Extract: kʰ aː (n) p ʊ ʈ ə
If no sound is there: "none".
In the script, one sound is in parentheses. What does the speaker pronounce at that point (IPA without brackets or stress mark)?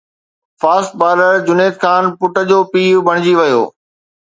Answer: n